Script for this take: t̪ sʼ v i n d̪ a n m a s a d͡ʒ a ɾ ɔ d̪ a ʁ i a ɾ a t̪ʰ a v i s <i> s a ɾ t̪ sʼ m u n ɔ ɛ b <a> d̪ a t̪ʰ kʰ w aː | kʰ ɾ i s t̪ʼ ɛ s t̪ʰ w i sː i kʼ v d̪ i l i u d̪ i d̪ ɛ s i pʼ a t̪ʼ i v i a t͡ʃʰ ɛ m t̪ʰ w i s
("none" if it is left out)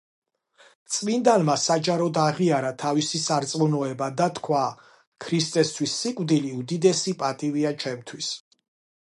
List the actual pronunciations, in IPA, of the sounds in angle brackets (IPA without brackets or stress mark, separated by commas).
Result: i, a